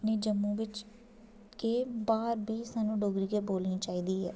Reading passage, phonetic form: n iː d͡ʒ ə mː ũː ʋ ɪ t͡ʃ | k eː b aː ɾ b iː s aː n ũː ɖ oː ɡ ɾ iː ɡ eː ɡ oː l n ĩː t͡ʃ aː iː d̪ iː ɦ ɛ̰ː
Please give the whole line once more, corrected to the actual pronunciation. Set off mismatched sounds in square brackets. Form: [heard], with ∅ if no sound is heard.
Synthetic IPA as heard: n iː d͡ʒ ə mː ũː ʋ ɪ t͡ʃ | k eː b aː ɾ b iː s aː n ũː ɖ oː ɡ ɾ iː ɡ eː [b] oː l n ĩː t͡ʃ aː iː d̪ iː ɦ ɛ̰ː